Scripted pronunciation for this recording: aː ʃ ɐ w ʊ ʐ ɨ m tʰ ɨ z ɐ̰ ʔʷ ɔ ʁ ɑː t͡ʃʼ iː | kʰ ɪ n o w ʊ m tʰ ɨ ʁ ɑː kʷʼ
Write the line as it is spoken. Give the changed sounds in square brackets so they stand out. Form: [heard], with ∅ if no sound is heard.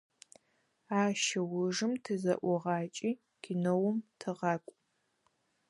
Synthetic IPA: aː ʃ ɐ w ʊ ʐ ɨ m tʰ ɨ z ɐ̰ ʔʷ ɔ ʁ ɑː t͡ʃʼ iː | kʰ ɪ n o w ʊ m tʰ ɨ ʁ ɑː kʷʼ